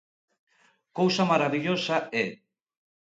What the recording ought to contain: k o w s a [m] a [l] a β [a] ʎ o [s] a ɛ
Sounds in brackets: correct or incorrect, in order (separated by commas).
correct, incorrect, incorrect, correct